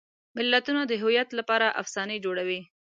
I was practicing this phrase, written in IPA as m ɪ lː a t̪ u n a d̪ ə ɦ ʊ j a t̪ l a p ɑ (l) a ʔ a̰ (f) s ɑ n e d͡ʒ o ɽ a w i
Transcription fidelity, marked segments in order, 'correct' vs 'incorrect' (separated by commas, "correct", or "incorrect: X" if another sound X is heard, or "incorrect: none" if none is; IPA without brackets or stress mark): incorrect: ɾ, correct